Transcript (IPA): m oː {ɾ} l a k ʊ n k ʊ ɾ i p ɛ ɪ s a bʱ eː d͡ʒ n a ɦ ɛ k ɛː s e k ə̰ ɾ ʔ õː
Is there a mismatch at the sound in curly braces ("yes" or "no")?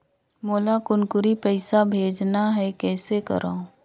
yes